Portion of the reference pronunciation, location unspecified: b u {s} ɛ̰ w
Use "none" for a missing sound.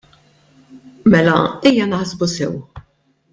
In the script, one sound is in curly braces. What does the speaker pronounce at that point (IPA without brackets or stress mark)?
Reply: s